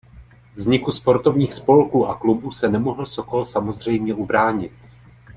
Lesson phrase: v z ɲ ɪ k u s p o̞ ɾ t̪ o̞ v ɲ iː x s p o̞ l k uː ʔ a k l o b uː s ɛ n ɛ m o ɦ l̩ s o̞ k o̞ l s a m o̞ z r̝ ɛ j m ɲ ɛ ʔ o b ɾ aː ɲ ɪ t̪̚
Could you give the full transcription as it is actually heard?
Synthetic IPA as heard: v z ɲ ɪ k u s p o̞ ɾ t̪ o̞ v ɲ iː x s p o̞ l k uː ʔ a k l u b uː s ɛ n ɛ m o ɦ l̩ s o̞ k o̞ l s a m o̞ z r̝ ɛ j m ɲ ɛ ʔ u b ɾ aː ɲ ɪ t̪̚